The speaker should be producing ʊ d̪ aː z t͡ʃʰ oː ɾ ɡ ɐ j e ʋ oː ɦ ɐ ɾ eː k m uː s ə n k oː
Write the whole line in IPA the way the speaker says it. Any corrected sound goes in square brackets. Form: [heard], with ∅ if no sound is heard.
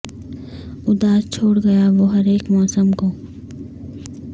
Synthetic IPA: ʊ d̪ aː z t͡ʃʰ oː [ɽ] ɡ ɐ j [a] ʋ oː ɦ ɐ ɾ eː k m [ɔː] s ə [m] k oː